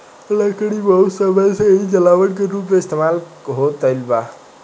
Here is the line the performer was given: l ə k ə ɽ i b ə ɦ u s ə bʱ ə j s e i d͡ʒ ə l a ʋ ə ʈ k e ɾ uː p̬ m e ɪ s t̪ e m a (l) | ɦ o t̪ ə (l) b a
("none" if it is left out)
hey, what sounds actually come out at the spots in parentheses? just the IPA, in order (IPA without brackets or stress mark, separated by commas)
l, l